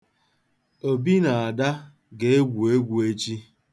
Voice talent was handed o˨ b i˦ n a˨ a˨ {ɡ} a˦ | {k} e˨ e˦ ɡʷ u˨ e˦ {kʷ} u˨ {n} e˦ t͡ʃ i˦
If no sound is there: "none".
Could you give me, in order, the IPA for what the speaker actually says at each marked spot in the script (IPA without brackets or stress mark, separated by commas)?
d, ɡ, ɡʷ, none